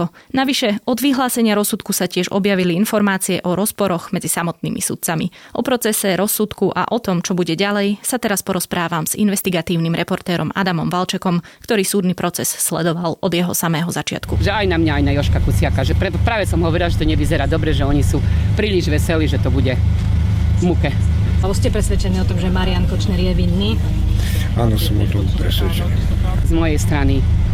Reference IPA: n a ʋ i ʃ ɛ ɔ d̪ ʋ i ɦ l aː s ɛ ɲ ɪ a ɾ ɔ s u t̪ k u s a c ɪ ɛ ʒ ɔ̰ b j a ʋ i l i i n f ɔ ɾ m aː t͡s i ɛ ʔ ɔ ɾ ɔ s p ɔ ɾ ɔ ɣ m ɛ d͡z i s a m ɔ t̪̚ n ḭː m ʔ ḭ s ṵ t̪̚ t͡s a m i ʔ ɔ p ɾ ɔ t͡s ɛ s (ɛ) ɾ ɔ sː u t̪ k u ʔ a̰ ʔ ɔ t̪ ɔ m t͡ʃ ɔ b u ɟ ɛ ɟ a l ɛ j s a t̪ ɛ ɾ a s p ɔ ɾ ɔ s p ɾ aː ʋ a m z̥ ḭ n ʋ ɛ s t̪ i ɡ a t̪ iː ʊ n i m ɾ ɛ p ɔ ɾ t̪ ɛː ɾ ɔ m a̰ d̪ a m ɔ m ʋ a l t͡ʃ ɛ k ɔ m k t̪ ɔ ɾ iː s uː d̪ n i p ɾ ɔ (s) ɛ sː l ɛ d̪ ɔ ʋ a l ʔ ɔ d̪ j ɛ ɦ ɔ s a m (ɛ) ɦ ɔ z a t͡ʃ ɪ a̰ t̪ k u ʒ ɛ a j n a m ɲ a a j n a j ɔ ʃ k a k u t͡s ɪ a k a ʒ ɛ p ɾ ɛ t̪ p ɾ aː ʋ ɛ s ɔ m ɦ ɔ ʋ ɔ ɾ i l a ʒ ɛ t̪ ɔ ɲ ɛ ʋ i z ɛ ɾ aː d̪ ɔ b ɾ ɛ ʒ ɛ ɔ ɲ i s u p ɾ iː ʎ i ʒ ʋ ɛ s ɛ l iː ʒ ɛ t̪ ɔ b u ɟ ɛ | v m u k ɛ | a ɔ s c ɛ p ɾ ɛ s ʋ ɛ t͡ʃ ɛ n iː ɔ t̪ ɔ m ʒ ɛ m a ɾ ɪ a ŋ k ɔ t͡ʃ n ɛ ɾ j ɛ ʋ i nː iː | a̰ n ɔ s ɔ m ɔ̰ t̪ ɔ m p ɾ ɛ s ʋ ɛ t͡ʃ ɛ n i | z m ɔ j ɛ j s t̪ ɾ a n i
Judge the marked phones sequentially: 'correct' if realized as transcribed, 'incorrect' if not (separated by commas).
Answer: correct, incorrect, incorrect